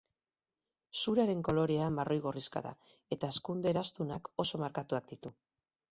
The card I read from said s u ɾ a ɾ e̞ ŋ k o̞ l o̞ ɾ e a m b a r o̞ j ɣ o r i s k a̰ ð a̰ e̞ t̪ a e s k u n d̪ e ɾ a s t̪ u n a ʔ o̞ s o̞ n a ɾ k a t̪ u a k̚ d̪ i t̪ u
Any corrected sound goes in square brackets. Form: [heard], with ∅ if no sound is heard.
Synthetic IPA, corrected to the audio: s u ɾ a ɾ e̞ ŋ k o̞ l o̞ ɾ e a m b a r o̞ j ɣ o r i s k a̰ ð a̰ e̞ t̪ a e s k u n d̪ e ɾ a s t̪ u n a [k] o̞ s o̞ [m] a ɾ k a t̪ u a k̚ d̪ i t̪ u

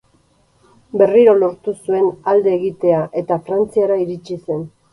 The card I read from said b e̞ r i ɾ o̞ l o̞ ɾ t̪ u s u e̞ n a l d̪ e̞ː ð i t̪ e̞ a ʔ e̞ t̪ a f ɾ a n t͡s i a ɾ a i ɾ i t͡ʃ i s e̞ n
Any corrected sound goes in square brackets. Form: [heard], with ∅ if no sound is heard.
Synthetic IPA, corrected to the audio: b e̞ r i ɾ o̞ l o̞ ɾ t̪ u s u e̞ n a l d̪ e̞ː [ɣ] i t̪ e̞ a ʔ e̞ t̪ a f ɾ a n t͡s i a ɾ a i ɾ i t͡ʃ i s e̞ n

